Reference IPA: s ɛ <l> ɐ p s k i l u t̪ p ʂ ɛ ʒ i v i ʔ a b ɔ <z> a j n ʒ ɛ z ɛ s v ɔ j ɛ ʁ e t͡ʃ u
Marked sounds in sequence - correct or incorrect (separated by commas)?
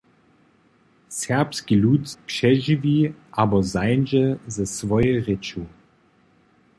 incorrect, correct